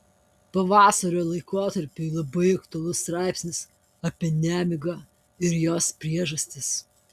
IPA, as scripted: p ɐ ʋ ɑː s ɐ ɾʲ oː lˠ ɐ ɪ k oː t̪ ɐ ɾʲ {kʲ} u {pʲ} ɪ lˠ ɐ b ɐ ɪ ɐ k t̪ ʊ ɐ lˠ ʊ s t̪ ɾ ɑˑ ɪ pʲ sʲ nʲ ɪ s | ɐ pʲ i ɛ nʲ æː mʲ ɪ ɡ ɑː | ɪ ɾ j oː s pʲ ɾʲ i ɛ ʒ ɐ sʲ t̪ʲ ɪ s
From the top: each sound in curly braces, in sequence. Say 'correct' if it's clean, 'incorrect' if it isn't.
incorrect: pʲ, incorrect: none

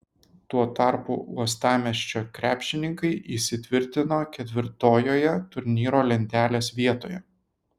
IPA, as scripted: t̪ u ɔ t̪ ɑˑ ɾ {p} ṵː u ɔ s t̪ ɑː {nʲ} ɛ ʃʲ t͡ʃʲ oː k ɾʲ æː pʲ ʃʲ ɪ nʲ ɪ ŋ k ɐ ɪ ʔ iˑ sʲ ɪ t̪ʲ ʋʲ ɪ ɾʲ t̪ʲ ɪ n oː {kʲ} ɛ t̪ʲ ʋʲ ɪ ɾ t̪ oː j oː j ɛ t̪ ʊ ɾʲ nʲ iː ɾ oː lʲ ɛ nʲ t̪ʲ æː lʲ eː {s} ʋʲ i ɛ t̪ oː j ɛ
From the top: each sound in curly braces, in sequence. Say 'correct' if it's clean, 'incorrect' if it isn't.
correct, incorrect: mʲ, correct, correct

